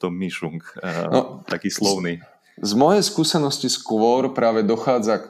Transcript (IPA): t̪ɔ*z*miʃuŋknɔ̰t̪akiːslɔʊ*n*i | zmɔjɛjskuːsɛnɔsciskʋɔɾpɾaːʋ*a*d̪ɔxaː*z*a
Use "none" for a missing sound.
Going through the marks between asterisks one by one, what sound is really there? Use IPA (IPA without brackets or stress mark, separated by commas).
none, n, ɛ, d͡z